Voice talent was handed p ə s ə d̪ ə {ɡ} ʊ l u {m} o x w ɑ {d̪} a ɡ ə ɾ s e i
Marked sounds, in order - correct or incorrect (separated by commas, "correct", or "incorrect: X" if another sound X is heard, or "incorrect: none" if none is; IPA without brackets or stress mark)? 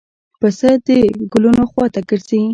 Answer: correct, incorrect: n, incorrect: t̪